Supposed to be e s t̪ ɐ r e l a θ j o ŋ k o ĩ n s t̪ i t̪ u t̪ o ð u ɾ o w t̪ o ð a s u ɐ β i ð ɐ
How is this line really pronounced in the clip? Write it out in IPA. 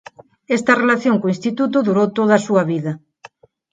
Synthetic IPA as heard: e s t̪ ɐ r e l a θ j o ŋ k o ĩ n s t̪ i t̪ u t̪ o ð u ɾ o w t̪ o ð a s u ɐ β i ð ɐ